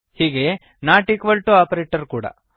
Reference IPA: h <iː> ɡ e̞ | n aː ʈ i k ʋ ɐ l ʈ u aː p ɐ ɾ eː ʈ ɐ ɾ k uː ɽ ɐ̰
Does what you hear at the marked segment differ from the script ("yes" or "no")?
no